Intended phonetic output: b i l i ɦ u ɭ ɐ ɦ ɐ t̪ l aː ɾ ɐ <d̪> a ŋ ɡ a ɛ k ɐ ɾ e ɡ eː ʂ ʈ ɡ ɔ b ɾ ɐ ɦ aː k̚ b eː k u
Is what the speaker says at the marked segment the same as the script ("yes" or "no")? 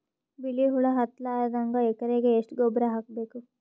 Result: yes